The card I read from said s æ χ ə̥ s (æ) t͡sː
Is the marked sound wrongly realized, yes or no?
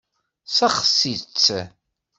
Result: yes